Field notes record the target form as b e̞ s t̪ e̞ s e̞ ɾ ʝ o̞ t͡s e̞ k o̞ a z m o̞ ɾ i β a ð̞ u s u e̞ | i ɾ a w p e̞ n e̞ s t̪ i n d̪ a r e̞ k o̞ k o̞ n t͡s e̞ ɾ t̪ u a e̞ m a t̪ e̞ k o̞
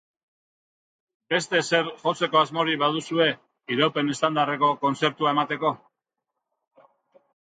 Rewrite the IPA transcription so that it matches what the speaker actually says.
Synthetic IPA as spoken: b e̞ s t̪ e̞ s e̞ ɾ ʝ o̞ t͡s e̞ k o̞ a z m o̞ ɾ i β a ð̞ u s u e̞ | i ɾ a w p e̞ n e̞ s t̪ a n d̪ a r e̞ k o̞ k o̞ n t͡s e̞ ɾ t̪ u a e̞ m a t̪ e̞ k o̞